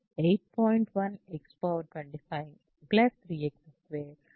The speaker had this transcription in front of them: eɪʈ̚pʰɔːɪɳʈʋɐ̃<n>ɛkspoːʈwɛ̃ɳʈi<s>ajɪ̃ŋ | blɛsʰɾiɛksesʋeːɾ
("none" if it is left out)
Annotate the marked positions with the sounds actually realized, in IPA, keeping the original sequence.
n, f

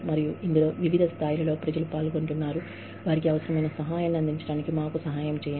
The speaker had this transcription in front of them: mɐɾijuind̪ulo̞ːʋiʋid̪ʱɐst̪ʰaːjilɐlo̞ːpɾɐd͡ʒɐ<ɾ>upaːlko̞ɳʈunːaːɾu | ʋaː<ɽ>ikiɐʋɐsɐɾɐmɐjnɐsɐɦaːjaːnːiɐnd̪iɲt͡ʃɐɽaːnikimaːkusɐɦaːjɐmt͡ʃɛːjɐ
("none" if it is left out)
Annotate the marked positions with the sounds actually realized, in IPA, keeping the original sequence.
l, ɾ

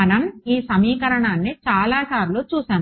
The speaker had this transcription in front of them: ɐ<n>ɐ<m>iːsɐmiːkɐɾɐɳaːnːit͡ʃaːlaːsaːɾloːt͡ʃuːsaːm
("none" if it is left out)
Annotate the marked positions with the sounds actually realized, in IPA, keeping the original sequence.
n, m

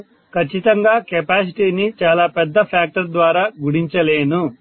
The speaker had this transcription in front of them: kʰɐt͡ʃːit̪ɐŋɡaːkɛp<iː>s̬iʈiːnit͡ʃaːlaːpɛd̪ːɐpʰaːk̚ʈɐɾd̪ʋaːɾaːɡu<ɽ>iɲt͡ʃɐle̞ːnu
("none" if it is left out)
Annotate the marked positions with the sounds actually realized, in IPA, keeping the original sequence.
aː, ɽ

